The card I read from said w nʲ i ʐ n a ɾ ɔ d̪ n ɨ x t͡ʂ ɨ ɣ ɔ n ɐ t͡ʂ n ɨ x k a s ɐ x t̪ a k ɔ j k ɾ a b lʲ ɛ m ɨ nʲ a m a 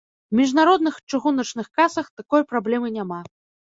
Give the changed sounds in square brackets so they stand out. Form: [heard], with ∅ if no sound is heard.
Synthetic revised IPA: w [mʲ] i ʐ n a ɾ ɔ d̪ n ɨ x t͡ʂ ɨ ɣ [u] n ɐ t͡ʂ n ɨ x k a s ɐ x t̪ a k ɔ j [p] ɾ a b lʲ ɛ m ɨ nʲ a m a